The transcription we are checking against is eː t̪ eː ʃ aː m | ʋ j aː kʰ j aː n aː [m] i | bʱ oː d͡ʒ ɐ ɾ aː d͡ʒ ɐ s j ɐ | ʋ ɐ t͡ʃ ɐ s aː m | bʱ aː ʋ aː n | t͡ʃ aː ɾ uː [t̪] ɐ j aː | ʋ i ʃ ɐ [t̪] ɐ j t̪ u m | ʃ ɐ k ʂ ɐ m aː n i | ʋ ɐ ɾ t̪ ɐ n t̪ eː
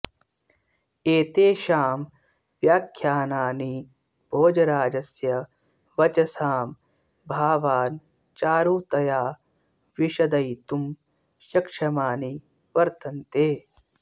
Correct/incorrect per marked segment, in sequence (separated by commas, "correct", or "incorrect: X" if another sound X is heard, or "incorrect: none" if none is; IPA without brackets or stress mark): incorrect: n, correct, incorrect: d̪